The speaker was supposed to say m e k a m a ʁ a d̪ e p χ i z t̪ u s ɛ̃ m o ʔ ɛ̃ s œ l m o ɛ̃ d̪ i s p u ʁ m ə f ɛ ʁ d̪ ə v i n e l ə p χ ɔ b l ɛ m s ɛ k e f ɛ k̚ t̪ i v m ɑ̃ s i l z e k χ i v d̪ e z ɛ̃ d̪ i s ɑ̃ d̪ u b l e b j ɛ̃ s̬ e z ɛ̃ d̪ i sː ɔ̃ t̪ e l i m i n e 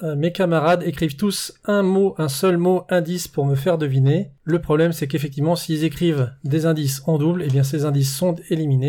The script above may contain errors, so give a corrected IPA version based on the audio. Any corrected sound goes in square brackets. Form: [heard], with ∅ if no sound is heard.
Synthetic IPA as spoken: m e k a m a ʁ a d̪ e [k] χ i [v] t̪ u s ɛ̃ m o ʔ ɛ̃ s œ l m o ɛ̃ d̪ i s p u ʁ m ə f ɛ ʁ d̪ ə v i n e l ə p χ ɔ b l ɛ m s ɛ k e f ɛ k̚ t̪ i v m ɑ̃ s i l z e k χ i v d̪ e z ɛ̃ d̪ i s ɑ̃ d̪ u b l e b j ɛ̃ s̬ e z ɛ̃ d̪ i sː ɔ̃ t̪ e l i m i n e